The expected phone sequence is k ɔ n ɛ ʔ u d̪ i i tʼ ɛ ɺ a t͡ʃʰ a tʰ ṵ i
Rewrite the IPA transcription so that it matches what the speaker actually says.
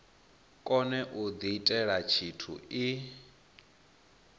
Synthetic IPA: kʼ ɔ n ɛ ʔ u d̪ i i tʼ ɛ ɺ a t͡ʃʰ i tʰ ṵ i